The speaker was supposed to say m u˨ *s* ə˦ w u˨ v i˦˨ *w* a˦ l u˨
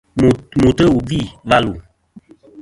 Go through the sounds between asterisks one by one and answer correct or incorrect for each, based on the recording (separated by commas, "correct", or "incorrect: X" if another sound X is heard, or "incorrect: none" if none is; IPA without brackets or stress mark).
incorrect: t, incorrect: v